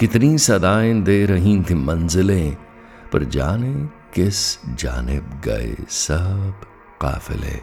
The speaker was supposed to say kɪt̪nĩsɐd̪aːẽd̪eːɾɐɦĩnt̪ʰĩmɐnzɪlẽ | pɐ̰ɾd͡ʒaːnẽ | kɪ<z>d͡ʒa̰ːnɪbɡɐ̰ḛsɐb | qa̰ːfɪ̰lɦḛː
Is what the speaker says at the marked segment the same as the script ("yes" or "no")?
no